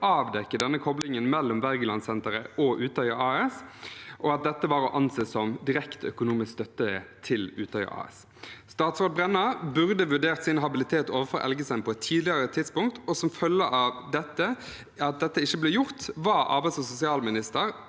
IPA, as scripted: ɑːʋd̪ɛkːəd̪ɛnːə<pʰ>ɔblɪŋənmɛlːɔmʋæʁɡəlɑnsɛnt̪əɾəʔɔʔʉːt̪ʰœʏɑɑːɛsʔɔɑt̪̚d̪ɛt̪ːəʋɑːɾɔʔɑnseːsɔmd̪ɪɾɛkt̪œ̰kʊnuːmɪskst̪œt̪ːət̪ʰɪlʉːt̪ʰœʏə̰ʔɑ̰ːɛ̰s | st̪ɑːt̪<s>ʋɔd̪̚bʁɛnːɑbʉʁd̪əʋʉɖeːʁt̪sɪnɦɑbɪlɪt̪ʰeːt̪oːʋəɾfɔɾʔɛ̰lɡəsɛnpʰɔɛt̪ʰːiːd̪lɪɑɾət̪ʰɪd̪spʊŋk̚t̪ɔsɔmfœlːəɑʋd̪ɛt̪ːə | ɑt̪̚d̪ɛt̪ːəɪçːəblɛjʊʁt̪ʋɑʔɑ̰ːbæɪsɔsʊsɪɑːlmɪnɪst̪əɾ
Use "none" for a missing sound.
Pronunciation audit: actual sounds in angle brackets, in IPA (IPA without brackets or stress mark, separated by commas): kʰ, s